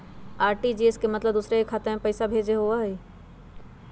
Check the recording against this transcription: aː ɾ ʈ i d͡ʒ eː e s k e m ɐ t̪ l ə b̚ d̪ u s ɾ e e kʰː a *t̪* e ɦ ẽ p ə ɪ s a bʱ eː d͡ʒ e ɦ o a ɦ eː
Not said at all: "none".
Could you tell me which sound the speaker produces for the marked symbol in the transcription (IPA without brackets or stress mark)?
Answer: t̪